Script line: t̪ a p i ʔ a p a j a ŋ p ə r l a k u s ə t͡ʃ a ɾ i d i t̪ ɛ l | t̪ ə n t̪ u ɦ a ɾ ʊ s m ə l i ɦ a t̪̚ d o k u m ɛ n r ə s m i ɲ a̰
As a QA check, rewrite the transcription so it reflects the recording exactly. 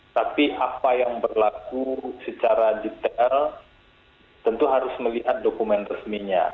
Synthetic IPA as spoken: t̪ a p i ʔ a p a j a ŋ b ə r l a k u s ə t͡ʃ a ɾ a d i t̪ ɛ l | t̪ ə n t̪ u ɦ a ɾ ʊ s m ə l i ɦ a t̪̚ d o k u m ɛ n r ə s m i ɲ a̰